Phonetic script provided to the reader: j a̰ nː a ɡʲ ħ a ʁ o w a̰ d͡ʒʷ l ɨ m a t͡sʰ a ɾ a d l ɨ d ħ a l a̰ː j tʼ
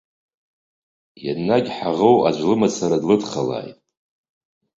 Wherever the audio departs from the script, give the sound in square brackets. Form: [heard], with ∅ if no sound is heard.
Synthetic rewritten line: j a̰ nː a ɡʲ ħ a ʁ o w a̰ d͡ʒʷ l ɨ m a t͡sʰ a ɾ a d l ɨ d [χ] a l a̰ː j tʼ

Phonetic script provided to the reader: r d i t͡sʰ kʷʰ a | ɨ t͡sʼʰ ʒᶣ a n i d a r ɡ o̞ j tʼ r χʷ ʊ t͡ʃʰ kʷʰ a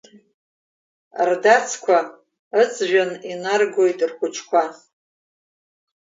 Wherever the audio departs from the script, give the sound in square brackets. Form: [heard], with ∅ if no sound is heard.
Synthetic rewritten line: r d [a] t͡sʰ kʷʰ a | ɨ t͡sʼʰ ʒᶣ a n i [n] a r ɡ o̞ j tʼ r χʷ ʊ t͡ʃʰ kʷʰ a

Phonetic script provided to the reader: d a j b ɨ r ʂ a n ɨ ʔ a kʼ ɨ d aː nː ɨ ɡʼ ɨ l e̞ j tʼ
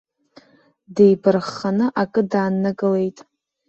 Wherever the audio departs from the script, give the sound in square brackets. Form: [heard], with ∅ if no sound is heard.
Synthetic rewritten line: d [e] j b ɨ r [χ] a n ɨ ʔ a kʼ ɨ d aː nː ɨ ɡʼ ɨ l e̞ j tʼ

